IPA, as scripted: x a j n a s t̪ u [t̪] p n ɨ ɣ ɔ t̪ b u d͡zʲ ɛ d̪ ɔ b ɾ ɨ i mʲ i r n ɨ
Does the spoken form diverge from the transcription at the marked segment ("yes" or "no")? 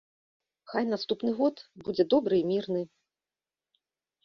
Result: yes